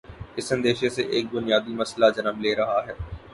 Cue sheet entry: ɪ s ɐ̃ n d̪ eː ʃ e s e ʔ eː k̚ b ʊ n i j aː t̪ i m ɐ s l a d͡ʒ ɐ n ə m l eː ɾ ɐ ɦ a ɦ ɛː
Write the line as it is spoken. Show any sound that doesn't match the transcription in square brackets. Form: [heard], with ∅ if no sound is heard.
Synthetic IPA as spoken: ɪ s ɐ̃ n d̪ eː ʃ e s e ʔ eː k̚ b ʊ n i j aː [d̪] i m ɐ s l a d͡ʒ ɐ n ə m l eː ɾ ɐ ɦ a ɦ ɛː